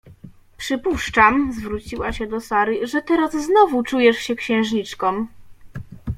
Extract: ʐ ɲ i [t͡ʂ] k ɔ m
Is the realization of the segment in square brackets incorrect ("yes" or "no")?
no